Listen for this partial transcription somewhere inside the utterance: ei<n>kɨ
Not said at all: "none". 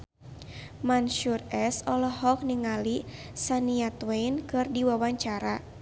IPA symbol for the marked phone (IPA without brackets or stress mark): n